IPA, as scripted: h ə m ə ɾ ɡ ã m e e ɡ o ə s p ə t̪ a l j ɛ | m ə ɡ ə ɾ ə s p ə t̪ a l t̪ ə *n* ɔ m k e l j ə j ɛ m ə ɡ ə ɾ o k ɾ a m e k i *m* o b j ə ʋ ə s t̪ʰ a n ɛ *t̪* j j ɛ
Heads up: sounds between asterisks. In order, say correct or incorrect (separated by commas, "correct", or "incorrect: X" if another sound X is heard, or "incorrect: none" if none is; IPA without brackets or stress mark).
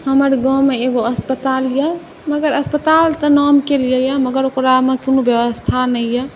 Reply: correct, incorrect: n, incorrect: none